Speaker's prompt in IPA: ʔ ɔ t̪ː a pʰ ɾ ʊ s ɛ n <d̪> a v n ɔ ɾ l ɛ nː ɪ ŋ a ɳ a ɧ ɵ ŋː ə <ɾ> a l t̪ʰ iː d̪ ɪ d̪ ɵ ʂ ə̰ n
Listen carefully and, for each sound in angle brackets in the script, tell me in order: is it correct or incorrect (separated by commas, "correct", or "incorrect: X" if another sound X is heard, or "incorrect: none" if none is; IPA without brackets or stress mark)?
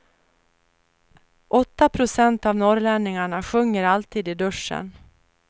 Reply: incorrect: t̪, correct